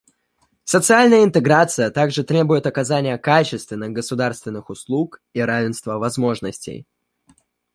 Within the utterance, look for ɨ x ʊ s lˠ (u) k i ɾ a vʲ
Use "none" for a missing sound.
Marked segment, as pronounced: u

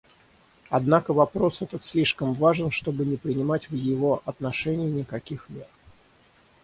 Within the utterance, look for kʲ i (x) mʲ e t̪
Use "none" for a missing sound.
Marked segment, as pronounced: x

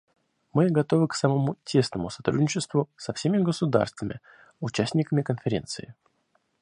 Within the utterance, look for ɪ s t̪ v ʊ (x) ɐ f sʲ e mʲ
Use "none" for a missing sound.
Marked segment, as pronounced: s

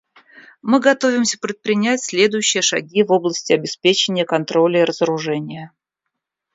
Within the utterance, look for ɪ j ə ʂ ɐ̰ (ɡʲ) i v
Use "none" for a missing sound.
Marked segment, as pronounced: ɡʲ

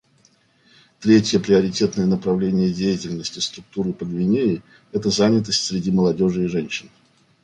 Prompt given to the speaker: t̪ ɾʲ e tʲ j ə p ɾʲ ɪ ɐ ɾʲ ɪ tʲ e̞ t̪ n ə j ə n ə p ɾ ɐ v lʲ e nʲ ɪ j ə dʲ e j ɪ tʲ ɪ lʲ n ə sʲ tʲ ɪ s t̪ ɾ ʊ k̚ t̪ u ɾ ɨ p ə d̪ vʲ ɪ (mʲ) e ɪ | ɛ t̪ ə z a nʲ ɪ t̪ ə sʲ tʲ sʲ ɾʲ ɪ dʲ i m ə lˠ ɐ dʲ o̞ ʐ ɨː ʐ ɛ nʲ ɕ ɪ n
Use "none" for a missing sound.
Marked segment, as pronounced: nʲ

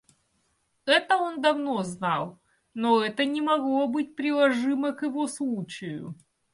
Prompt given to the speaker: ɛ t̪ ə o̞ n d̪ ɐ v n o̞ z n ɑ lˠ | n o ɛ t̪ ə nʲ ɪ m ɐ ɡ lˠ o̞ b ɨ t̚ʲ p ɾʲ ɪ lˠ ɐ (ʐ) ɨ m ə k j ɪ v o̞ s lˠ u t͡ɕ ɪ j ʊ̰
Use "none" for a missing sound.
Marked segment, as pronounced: ʐ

